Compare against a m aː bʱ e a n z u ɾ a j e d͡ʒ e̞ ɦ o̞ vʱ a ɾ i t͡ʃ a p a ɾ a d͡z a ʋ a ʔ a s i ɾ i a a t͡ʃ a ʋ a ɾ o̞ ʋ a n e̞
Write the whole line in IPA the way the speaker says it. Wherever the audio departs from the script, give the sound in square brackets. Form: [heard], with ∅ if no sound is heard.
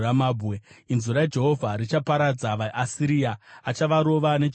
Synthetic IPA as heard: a m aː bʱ e [i] n z u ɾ a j e d͡ʒ e̞ ɦ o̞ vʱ a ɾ i t͡ʃ a p a ɾ a d͡z a ʋ a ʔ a s i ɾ i a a t͡ʃ a ʋ a ɾ o̞ ʋ a n e̞